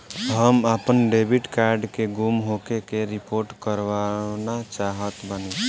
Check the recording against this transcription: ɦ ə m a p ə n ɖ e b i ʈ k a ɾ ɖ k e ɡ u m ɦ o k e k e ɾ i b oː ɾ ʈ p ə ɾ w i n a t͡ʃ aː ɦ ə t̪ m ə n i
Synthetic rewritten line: ɦ ə m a p ə n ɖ e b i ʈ k a ɾ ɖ k e ɡ u m ɦ o k e k e ɾ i p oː ɾ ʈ k ə ɾ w a n a t͡ʃ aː ɦ ə t̪ b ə n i

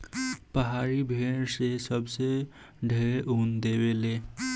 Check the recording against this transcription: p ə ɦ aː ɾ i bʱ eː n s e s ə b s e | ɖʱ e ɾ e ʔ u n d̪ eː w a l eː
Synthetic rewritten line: p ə ɦ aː ɾ i bʱ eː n s e s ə b s e | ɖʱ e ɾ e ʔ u n d̪ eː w e l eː

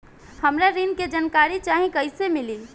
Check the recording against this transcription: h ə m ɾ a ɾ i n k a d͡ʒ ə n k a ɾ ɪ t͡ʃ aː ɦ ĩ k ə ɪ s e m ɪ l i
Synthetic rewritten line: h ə m ɾ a ɾ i n k e d͡ʒ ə n k a ɾ i t͡ʃ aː ɦ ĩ k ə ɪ s e m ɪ l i

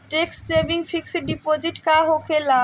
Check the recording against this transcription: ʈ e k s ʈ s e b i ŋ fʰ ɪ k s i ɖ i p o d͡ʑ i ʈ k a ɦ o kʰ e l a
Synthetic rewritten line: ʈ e k s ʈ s e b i ŋ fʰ i k s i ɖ i p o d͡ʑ i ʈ k a ɦ o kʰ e l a

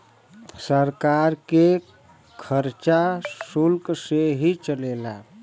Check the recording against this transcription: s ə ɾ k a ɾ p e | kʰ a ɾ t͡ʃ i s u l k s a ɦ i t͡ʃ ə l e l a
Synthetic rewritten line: s ə ɾ k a ɾ k e | kʰ ə ɾ t͡ʃ a s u l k s e ɦ i t͡ʃ ə l e l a

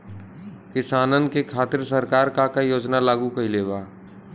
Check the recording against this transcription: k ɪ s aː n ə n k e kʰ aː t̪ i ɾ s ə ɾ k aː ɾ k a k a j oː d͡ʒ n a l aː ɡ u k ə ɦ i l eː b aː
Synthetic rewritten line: k ɪ s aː n ə n k e kʰ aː t̪ ɪ ɾ s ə ɾ k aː ɾ k a k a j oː d͡ʒ n a l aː ɡ u k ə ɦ i l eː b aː

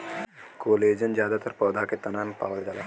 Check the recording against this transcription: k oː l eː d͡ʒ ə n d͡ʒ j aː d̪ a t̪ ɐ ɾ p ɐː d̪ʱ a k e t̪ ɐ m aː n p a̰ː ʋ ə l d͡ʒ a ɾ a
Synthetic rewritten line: k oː l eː d͡ʒ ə n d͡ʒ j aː d̪ a t̪ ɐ ɾ p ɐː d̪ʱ a k e t̪ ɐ n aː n p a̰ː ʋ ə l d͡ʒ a l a

